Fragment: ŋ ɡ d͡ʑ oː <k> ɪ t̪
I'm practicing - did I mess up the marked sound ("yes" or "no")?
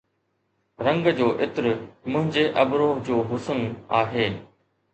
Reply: yes